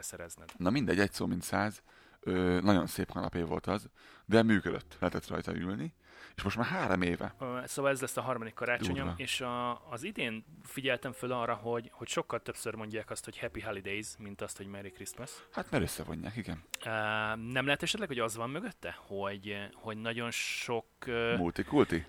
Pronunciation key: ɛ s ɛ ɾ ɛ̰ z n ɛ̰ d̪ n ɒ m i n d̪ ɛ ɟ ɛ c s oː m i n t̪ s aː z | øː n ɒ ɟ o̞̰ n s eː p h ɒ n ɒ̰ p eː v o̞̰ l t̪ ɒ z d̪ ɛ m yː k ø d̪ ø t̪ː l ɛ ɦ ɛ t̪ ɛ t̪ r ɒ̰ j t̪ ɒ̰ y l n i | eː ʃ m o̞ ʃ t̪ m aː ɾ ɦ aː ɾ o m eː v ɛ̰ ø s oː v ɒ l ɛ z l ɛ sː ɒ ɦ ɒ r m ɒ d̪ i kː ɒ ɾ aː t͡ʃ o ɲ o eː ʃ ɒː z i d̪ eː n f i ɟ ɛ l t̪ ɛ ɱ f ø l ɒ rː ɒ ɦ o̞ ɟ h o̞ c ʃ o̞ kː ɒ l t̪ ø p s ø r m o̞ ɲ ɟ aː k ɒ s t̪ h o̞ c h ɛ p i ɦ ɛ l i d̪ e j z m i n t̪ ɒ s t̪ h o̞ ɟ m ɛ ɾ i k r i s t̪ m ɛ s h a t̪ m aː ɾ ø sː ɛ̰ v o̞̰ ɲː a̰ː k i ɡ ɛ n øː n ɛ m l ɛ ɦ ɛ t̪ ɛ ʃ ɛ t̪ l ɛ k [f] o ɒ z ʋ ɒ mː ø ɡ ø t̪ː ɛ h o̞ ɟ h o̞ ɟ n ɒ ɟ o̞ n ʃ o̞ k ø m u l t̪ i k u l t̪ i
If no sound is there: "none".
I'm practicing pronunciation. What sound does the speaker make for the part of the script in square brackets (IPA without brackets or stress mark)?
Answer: h